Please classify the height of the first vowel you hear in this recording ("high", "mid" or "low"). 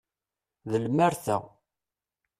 mid